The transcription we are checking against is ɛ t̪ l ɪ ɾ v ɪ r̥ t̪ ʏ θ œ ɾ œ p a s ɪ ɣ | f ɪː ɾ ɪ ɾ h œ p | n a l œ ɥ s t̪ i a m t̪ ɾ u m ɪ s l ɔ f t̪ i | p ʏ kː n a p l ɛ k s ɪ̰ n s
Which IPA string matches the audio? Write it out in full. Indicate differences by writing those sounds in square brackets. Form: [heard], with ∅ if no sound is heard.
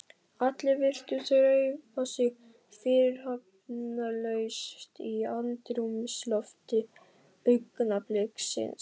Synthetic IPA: [a] t̪ l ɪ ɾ v ɪ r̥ t̪ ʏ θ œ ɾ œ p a s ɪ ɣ | f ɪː ɾ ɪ ɾ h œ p | n a l œ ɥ s t̪ i a [n] t̪ ɾ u m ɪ s l ɔ f t̪ [ɪ] | p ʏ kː n a p l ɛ k s ɪ̰ n s